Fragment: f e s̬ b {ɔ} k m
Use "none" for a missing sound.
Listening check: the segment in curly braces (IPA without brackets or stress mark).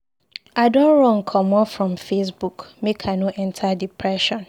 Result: u